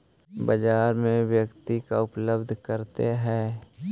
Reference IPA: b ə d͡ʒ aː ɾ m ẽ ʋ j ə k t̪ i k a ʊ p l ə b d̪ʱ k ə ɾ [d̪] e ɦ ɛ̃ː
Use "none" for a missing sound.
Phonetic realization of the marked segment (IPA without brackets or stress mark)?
t̪